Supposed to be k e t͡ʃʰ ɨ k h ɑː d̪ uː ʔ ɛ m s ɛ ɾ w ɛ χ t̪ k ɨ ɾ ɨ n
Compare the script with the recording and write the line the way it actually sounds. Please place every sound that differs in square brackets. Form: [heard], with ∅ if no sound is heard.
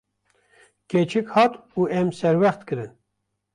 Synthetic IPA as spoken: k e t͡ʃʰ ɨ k h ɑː [t̪] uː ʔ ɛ m s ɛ ɾ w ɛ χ t̪ k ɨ ɾ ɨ n